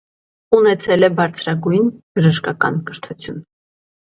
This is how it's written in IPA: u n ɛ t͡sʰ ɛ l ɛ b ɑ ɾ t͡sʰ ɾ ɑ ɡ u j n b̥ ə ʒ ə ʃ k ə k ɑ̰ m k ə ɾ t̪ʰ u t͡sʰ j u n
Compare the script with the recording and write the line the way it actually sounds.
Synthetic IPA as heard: u n ɛ t͡sʰ ɛ l ɛ b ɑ ɾ t͡sʰ ɾ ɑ ɡ u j n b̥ ə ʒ ə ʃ k ɑ k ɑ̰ n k ə ɾ t̪ʰ u t͡sʰ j u n

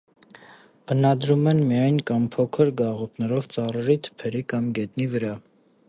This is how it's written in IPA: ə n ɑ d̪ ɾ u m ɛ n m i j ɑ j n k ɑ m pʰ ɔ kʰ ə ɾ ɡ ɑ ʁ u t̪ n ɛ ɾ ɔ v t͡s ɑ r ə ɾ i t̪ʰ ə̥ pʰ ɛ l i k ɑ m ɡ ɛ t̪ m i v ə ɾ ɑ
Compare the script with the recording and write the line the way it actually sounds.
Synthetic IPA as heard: ə n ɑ d̪ ɾ u m ɛ n m i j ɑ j n k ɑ m pʰ ɔ kʰ ə ɾ ɡ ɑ ʁ u t̪ n ɛ ɾ ɔ v t͡s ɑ r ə ɾ i t̪ʰ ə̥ pʰ ɛ ɾ i k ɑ m ɡ ɛ t̪ n i v ə ɾ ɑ

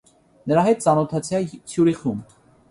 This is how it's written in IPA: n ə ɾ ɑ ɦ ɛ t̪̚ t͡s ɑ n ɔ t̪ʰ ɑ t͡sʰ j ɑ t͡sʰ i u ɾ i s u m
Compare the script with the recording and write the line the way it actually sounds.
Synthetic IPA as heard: n ə ɾ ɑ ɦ ɛ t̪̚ t͡s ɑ n ɔ t̪ʰ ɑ t͡sʰ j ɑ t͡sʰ j u ɾ i χ u m

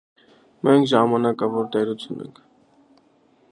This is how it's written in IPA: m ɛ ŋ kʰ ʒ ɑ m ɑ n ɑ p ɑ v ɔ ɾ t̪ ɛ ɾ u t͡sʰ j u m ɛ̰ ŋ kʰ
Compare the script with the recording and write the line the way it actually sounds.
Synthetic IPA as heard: m ɛ ŋ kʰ ʒ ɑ m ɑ n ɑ k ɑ v ɔ ɾ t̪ ɛ ɾ u t͡sʰ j u n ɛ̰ ŋ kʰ

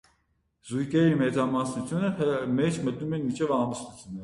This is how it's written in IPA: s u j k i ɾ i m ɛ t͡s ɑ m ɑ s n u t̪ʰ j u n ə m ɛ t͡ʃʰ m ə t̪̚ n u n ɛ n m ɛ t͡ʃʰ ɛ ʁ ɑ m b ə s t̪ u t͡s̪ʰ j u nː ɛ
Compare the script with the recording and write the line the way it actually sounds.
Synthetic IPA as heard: z u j k ɛ ɾ i m ɛ t͡s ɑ m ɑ s n u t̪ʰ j u n ə m ɛ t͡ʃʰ m ə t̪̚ n u m ɛ n m i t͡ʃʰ ɛ v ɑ m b ə s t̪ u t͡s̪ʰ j u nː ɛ

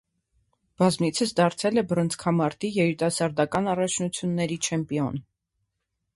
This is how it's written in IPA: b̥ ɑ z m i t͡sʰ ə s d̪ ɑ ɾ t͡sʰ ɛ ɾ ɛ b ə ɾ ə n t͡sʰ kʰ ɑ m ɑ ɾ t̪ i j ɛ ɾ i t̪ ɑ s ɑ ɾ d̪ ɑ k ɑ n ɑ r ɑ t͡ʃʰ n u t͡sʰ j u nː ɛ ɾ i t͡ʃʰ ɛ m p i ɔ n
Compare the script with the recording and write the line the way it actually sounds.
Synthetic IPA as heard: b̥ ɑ z m i t͡sʰ ə s d̪ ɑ ɾ t͡sʰ ɛ l ɛ b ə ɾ ə n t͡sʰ kʰ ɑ m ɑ ɾ t̪ i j ɛ ɾ i t̪ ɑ s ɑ ɾ d̪ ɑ k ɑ n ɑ r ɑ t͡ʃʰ n u t͡sʰ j u nː ɛ ɾ i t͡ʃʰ ɛ m p i ɔ n

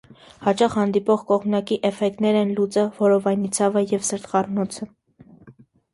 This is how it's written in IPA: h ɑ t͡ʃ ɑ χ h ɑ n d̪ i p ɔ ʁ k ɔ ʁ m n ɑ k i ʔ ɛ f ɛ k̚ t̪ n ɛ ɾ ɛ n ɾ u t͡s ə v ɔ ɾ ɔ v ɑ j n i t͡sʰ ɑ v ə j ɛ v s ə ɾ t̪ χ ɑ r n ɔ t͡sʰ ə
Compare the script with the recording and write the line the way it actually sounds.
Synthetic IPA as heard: h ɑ t͡ʃ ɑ χ h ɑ n d̪ i p ɔ ʁ k ɔ ʁ m n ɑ k i ʔ ɛ f ɛ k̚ t̪ n ɛ ɾ ɛ n l u t͡s ə v ɔ ɾ ɔ v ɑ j n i t͡sʰ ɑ v ə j ɛ v s ə ɾ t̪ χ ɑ r n ɔ t͡sʰ ə

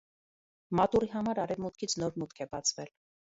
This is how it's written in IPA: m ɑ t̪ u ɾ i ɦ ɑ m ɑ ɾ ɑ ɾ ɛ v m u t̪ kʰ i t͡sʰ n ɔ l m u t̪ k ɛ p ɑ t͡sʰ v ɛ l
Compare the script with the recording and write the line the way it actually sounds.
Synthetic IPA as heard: m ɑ t̪ u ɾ i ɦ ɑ m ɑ ɾ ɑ ɾ ɛ v m u t̪ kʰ i t͡sʰ n ɔ ɾ m u t̪ kʰ ɛ b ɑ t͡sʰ v ɛ l

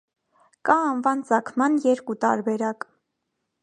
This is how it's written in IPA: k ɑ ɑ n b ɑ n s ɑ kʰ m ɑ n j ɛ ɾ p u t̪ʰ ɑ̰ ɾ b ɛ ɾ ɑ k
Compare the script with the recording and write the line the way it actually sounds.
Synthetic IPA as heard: k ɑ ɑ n v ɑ n t͡s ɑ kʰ m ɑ n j ɛ ɾ k u t̪ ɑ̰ ɾ b ɛ ɾ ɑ k

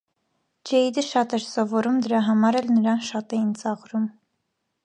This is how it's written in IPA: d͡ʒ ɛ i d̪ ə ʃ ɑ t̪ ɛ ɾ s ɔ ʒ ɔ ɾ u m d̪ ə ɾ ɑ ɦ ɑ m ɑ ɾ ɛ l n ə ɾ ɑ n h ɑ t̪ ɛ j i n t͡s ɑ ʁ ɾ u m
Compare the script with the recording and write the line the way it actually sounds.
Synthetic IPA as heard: d͡ʒ ɛ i d̪ ə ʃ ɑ t̪ ɛ ɾ s ɔ v ɔ ɾ u m d̪ ə ɾ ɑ ɦ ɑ m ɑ ɾ ɛ l n ə ɾ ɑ n ʃ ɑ t̪ ɛ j i n t͡s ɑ ʁ ɾ u m

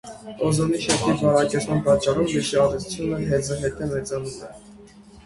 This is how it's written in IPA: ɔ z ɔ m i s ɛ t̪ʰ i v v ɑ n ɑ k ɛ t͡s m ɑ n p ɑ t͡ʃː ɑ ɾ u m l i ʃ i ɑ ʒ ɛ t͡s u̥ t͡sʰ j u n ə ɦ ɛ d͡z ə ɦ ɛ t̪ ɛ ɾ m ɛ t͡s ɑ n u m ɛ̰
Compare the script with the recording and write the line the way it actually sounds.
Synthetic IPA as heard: ɔ z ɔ n i ʃ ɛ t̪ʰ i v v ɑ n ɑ k ɛ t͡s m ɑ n p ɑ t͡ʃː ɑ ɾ u m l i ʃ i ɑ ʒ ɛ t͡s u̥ t͡sʰ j u n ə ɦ ɛ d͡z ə ɦ ɛ t̪ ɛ m ɛ t͡s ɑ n u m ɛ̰

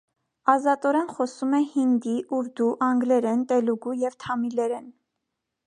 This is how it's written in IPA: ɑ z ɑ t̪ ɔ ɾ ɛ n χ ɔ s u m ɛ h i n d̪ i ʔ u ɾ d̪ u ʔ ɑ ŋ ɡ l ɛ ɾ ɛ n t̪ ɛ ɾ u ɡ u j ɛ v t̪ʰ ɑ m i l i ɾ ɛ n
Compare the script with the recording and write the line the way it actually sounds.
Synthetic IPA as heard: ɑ z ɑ t̪ ɔ ɾ ɛ n χ ɔ s u m ɛ h i n d̪ i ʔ u ɾ d̪ u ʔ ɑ ŋ ɡ l ɛ ɾ ɛ n t̪ ɛ l u ɡ u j ɛ v t̪ʰ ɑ m i l ɛ ɾ ɛ n

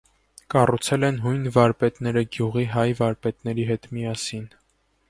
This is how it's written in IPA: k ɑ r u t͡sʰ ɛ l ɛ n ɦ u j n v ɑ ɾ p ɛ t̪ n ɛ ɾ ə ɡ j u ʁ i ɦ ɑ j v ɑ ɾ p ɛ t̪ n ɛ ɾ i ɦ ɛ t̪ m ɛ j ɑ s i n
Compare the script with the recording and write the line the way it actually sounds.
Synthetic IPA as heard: k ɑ r u t͡sʰ ɛ l ɛ n ɦ u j n v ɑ ɾ p ɛ t̪ n ɛ ɾ ə ɡ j u ʁ i ɦ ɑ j v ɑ ɾ p ɛ t̪ n ɛ ɾ i ɦ ɛ t̪ m i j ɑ s i n

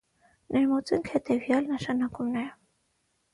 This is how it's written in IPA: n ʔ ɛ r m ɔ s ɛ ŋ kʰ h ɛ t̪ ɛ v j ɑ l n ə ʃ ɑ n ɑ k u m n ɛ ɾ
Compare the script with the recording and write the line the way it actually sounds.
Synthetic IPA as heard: n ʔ ɛ ɾ m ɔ t͡s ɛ ŋ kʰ h ɛ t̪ ɛ v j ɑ l n ə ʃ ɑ n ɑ k u m n ɛ ɾ

